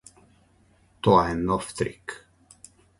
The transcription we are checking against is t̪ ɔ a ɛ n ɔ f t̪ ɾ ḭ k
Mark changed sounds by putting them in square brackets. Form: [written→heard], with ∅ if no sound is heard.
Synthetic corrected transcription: t̪ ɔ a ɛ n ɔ f t̪ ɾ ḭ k